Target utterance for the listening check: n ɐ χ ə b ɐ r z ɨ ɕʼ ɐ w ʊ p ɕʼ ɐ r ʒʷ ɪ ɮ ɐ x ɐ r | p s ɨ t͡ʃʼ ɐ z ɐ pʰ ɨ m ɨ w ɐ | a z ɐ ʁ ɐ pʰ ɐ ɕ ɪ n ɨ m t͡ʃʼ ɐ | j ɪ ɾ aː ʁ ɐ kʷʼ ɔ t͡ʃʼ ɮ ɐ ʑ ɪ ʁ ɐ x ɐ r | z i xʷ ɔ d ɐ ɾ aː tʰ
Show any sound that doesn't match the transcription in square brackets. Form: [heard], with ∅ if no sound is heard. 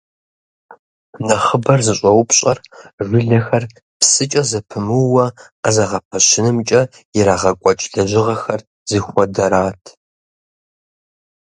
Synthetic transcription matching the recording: n ɐ χ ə b ɐ r z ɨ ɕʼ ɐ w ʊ p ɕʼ ɐ r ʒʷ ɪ ɮ ɐ x ɐ r | p s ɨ t͡ʃʼ ɐ z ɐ pʰ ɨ m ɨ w ɐ | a z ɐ ʁ ɐ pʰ ɐ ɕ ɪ n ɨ m t͡ʃʼ ɐ | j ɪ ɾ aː ʁ ɐ kʷʼ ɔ t͡ʃʼ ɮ ɐ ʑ ɪ ʁ ɐ x ɐ r | z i xʷ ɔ d ɐ ɾ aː tʰ